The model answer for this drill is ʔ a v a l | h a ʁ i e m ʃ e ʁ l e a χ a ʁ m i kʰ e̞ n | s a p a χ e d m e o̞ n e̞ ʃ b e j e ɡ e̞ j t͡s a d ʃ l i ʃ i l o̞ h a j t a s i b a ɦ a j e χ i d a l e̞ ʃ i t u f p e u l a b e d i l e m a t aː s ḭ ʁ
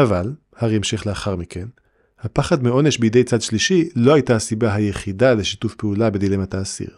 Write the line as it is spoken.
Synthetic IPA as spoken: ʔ a v a l | h a ʁ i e m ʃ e χ l e a χ a ʁ m i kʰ e̞ n | h a p a χ a d m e o̞ n e̞ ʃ b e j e d e̞ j t͡s a d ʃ l i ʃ i l o̞ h a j t a s i b a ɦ a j e χ i d a l e̞ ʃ i t u f p e u l a b e d i l e m a t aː s ḭ ʁ